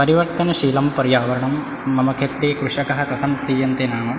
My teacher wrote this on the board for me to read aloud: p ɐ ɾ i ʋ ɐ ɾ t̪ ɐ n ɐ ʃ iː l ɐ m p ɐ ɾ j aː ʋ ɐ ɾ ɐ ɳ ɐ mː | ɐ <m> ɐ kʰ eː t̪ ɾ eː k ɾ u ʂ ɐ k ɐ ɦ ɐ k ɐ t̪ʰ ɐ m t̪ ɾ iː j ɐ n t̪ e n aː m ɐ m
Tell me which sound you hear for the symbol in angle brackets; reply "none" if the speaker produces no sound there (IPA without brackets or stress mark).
m